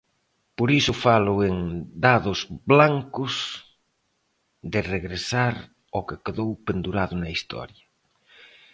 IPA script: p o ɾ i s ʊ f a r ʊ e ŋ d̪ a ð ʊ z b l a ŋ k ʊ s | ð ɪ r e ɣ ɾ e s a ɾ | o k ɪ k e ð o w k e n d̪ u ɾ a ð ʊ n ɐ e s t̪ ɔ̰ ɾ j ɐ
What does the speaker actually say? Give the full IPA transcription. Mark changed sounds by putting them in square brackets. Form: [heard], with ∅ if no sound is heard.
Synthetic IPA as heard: p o ɾ i s ʊ f a [l] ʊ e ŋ d̪ a ð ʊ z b l a ŋ k ʊ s | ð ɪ r e ɣ ɾ e s a ɾ | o k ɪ k e ð o w [p] e n d̪ u ɾ a ð ʊ n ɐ [i] s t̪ ɔ̰ ɾ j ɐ